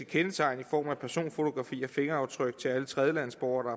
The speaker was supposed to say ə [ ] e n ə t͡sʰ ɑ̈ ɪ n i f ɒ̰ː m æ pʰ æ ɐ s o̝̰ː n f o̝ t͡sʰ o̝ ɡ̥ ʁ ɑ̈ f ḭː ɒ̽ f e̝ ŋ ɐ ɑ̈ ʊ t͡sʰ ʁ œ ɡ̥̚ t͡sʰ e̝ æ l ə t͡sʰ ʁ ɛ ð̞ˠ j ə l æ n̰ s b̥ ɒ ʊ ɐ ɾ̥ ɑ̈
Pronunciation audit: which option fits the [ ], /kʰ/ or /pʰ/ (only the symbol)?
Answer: kʰ